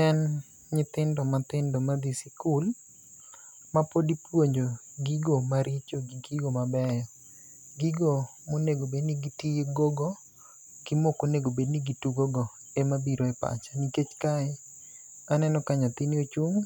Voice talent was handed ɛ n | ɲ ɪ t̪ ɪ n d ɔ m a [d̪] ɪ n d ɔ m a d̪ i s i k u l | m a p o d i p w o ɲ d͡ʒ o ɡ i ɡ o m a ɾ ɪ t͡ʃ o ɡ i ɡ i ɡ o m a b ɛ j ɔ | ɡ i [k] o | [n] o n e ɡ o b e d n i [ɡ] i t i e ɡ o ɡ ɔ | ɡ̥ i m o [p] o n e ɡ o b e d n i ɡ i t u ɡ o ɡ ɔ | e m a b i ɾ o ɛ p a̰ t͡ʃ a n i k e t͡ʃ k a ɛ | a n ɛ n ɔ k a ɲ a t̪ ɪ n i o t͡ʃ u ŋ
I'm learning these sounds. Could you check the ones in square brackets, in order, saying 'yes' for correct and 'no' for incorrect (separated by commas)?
no, no, no, yes, no